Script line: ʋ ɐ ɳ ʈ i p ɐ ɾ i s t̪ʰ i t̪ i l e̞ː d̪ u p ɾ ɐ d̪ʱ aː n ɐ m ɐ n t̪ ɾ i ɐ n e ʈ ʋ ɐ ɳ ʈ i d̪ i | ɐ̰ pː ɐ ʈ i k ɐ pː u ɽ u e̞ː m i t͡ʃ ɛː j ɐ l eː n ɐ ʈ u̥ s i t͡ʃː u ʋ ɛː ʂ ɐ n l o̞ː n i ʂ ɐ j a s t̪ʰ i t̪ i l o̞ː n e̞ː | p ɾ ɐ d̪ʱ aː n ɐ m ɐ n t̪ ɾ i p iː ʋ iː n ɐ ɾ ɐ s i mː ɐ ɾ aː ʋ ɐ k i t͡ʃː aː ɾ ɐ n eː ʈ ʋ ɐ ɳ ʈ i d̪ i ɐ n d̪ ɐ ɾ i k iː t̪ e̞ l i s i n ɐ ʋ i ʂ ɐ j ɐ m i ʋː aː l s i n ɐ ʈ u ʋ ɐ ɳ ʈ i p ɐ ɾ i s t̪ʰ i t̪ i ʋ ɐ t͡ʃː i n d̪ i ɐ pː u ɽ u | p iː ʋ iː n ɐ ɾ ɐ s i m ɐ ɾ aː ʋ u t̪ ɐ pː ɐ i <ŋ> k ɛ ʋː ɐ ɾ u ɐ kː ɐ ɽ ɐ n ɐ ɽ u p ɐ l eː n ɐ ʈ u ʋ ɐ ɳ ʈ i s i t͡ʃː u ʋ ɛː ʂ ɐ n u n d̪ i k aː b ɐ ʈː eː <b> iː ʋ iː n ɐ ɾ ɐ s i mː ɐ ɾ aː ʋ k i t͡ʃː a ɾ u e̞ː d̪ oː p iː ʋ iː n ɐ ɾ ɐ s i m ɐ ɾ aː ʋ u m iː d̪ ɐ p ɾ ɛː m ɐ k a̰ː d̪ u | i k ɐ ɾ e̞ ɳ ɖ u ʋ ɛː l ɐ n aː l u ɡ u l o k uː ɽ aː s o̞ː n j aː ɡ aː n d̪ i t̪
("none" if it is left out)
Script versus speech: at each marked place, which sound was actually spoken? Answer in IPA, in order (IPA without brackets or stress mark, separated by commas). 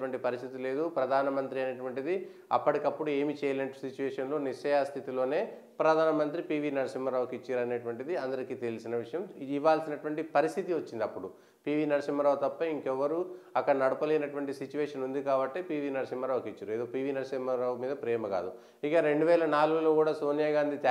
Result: ŋ, p